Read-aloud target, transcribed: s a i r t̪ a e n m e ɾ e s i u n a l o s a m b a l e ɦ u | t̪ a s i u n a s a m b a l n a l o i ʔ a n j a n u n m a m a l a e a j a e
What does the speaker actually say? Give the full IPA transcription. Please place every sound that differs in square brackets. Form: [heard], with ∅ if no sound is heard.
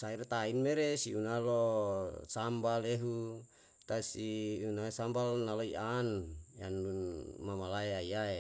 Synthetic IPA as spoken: s a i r t̪ a [i] n m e ɾ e s i u n a l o s a m b a l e ɦ u | t̪ a s i u n a s a m b a l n a l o i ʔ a n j a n u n m a m a l a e a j a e